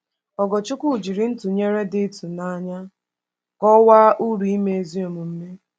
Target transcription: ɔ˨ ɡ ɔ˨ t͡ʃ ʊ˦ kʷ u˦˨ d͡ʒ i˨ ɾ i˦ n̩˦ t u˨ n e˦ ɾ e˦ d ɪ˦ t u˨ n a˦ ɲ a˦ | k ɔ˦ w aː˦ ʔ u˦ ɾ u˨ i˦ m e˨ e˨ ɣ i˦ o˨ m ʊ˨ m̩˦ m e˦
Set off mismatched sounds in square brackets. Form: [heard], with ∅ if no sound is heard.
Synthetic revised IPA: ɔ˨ ɡ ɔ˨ t͡ʃ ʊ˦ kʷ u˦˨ d͡ʒ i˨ ɾ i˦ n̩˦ t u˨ [ɲ] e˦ ɾ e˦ d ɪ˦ t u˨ n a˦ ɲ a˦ | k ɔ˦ w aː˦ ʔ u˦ ɾ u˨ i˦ m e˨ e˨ [z] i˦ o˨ m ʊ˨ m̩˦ m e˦